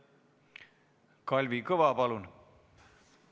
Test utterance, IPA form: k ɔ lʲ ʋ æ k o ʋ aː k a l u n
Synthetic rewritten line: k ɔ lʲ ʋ i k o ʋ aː p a l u n